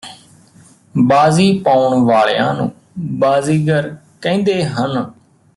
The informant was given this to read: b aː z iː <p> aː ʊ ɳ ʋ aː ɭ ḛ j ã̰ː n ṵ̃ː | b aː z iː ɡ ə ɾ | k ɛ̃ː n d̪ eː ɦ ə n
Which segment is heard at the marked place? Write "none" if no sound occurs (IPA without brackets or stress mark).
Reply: p